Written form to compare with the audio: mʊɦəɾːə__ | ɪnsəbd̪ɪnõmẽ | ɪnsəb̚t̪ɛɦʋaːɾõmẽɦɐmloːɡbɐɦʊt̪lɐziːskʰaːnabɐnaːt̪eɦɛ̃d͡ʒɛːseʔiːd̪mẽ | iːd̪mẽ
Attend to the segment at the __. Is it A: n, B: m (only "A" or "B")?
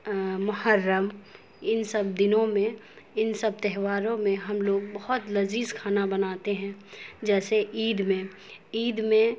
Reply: B